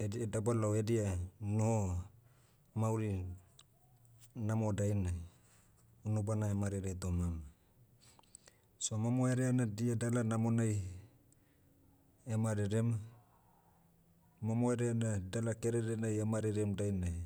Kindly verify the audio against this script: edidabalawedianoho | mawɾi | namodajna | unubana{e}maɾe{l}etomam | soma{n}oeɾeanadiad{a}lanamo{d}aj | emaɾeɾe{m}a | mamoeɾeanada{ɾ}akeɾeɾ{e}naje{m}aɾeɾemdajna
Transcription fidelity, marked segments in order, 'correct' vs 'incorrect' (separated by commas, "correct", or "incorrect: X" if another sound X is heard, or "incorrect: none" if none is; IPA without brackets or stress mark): correct, incorrect: ɾ, incorrect: m, correct, incorrect: n, correct, incorrect: l, correct, correct